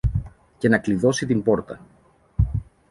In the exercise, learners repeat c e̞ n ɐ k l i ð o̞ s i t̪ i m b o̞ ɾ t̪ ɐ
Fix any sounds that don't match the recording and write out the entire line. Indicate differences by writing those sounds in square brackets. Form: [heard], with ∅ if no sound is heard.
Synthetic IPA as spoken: c e̞ n ɐ k l i ð o̞ s i t̪ i m b o̞ ɾ t̪ ɐ

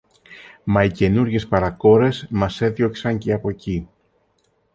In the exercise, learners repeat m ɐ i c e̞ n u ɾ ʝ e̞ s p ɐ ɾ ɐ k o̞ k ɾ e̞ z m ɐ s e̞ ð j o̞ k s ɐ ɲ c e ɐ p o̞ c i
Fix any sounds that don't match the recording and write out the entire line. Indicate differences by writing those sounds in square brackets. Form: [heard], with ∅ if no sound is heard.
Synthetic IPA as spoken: m ɐ i c e̞ n u ɾ ʝ e̞ s p ɐ ɾ ɐ k o̞ [∅] ɾ e̞ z m ɐ s e̞ ð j o̞ k s ɐ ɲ c e ɐ p o̞ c i

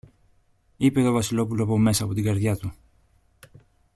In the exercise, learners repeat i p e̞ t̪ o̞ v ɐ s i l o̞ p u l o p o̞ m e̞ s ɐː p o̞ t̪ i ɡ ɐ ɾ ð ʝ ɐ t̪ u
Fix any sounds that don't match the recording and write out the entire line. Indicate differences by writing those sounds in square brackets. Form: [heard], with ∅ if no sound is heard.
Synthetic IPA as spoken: i p e̞ t̪ o̞ v ɐ s i l o̞ p u l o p o̞ m e̞ s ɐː p o̞ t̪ i ɡ ɐ ɾ ð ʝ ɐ t̪ u

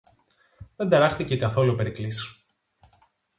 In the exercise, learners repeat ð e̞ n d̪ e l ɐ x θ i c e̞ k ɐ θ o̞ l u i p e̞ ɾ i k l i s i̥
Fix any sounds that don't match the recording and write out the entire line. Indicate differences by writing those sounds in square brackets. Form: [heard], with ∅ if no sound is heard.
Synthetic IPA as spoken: ð e̞ n d̪ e [ɾ] ɐ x θ i c e̞ k ɐ θ o̞ l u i p e̞ ɾ i k l i s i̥

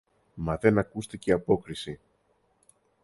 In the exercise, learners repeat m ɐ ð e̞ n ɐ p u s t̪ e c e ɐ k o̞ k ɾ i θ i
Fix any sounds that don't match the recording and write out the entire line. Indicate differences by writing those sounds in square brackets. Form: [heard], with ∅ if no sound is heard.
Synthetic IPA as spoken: m ɐ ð e̞ n ɐ [k] u s t̪ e c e ɐ [p] o̞ k ɾ i [s] i

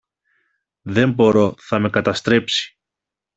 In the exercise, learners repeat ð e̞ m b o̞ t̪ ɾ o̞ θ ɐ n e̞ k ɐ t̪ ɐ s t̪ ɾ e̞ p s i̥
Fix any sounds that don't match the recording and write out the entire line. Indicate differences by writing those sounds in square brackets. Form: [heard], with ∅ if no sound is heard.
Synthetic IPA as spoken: ð e̞ m b o̞ [∅] ɾ o̞ θ ɐ [m] e̞ k ɐ t̪ ɐ s t̪ ɾ e̞ p s i̥

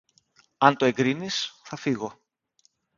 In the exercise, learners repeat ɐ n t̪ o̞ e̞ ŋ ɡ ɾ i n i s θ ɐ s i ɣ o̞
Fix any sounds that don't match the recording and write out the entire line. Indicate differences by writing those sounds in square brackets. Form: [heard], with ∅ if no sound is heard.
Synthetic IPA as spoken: ɐ n t̪ o̞ e̞ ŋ ɡ ɾ i n i s θ ɐ [f] i ɣ o̞

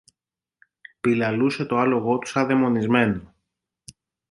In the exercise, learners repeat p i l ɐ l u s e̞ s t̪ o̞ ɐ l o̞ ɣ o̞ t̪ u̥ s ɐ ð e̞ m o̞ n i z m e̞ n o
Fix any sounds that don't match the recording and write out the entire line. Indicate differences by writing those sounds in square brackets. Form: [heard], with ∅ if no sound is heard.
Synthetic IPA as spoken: p i l ɐ l u s e̞ [∅] t̪ o̞ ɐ l o̞ ɣ o̞ t̪ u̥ s ɐ ð e̞ m o̞ n i z m e̞ n o

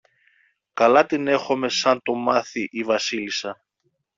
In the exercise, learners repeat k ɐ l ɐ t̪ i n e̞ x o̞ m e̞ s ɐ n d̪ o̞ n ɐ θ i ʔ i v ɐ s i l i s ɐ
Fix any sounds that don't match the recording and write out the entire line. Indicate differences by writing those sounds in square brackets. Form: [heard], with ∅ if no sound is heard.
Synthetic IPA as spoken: k ɐ l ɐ t̪ i n e̞ x o̞ m e̞ s ɐ n [t̪] o̞ [m] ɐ θ i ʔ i v ɐ s i l i s ɐ

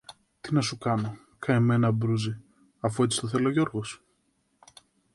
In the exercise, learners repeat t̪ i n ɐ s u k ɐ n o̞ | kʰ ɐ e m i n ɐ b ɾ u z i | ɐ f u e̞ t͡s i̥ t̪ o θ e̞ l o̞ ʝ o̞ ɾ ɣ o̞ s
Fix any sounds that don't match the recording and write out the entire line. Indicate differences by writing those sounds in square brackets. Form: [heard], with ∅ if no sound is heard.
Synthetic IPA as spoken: t̪ i n ɐ s u k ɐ n o̞ | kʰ ɐ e m [e] n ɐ b ɾ u z i | ɐ f u e̞ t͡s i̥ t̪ o θ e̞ l o̞ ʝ o̞ ɾ ɣ o̞ s

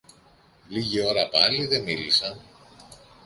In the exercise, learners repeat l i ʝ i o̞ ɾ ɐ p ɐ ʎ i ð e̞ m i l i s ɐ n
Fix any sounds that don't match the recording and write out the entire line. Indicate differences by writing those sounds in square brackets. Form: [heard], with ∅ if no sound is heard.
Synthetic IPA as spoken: l i ʝ i o̞ ɾ ɐ p ɐ [l] i ð e̞ m i l i s ɐ n

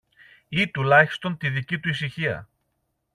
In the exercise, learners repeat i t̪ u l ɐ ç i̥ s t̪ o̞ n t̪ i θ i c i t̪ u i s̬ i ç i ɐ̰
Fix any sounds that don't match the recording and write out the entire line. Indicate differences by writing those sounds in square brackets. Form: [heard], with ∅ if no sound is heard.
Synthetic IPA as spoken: i t̪ u l ɐ ç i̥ s t̪ o̞ n t̪ i [ð] i c i t̪ u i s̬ i ç i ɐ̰

